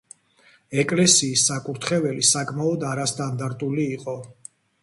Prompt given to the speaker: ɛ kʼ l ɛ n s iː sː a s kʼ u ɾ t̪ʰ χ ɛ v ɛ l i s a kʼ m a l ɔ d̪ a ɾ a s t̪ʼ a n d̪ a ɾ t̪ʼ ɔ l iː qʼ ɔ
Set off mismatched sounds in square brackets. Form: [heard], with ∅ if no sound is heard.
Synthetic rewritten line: ɛ kʼ l ɛ [∅] s iː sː a [∅] kʼ u ɾ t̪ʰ χ ɛ v ɛ l i s a kʼ m a [∅] ɔ d̪ a ɾ a s t̪ʼ a n d̪ a ɾ t̪ʼ [u] l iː qʼ ɔ